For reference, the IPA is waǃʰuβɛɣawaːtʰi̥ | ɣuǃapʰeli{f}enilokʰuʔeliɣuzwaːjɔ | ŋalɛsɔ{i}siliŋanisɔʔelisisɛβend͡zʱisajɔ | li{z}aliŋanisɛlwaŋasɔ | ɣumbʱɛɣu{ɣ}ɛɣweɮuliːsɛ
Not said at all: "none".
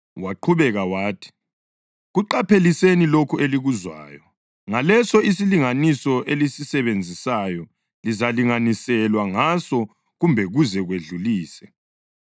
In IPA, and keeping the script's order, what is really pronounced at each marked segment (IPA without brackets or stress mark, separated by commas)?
s, i, z, z